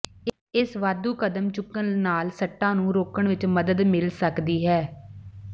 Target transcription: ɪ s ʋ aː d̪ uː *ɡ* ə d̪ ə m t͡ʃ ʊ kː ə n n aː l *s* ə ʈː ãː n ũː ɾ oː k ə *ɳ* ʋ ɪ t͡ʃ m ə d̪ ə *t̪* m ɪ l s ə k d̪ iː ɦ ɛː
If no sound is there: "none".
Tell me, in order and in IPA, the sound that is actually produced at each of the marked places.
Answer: k, s, ɳ, d̪

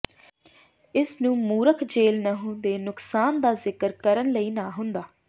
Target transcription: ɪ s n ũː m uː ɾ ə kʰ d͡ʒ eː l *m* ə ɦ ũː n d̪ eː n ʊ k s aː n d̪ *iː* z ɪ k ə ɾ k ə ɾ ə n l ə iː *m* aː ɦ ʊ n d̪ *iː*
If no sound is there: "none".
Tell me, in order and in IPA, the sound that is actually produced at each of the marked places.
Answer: n, aː, n, aː

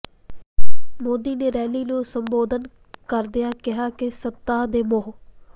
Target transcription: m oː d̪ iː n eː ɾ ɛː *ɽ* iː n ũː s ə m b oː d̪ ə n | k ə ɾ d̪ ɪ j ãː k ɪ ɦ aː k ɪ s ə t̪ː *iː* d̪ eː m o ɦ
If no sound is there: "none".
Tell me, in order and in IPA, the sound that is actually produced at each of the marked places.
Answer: l, aː

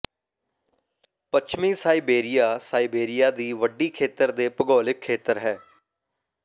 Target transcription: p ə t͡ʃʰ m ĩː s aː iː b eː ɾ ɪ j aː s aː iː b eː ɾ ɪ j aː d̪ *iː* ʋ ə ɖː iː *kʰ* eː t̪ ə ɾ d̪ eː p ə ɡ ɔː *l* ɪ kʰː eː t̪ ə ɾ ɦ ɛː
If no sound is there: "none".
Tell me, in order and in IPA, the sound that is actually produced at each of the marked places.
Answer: iː, kʰ, l

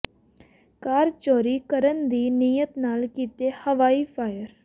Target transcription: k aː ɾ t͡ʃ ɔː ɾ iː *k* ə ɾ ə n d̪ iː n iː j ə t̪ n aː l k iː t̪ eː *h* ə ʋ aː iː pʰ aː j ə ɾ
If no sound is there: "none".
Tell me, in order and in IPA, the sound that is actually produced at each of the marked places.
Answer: k, h

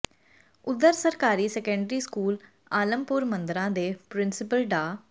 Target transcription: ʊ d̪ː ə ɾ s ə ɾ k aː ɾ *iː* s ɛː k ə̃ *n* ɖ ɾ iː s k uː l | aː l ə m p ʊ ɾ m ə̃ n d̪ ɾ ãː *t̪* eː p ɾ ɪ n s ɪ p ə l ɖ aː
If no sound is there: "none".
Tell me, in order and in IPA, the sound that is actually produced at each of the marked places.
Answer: iː, ɳ, d̪

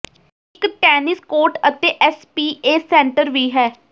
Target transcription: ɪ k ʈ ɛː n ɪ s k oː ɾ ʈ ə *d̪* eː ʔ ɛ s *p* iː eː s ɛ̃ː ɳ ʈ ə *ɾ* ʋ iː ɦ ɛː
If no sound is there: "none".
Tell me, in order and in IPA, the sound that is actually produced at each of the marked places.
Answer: t̪, p, ɾ

